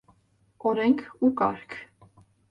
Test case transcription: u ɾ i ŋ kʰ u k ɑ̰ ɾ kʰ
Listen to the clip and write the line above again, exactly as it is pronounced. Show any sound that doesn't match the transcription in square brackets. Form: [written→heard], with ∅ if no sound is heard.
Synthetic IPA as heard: [u→ɔ] ɾ [i→ɛ] ŋ kʰ u k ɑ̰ ɾ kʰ